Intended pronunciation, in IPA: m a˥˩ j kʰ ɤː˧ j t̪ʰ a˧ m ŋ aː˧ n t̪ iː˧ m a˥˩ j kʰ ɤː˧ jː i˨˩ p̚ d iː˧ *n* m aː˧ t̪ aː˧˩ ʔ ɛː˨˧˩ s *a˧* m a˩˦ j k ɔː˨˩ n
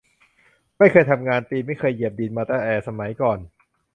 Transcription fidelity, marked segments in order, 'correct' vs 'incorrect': correct, correct

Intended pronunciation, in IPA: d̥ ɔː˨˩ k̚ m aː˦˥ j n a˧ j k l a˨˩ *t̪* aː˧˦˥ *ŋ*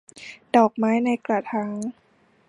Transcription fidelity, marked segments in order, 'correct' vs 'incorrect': incorrect, correct

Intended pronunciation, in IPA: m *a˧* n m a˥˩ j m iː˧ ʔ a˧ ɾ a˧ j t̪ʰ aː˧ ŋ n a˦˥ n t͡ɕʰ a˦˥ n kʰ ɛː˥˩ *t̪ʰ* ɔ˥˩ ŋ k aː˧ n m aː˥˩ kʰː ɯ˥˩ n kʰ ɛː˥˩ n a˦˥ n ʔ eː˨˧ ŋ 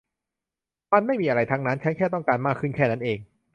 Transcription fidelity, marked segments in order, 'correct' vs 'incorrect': incorrect, incorrect

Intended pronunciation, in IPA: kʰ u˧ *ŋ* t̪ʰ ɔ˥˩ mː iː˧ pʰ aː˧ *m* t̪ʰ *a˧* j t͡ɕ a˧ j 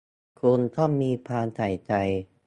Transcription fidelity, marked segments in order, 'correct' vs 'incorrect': incorrect, incorrect, incorrect

